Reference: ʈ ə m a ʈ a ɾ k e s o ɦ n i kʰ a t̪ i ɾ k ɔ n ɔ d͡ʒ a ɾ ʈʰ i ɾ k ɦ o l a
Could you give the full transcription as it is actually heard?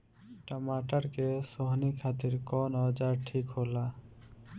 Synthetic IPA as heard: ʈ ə m a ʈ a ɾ k e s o ɦ n i kʰ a t̪ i ɾ k ɔ n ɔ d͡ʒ a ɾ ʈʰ i k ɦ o l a